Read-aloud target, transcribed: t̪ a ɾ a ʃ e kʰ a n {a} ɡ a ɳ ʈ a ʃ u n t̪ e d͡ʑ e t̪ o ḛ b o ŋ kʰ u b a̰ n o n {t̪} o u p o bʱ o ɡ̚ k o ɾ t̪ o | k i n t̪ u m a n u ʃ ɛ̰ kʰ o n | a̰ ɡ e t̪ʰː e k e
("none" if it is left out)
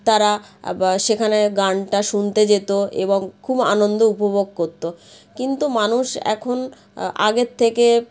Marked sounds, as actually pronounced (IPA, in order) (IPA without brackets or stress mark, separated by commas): e, d̪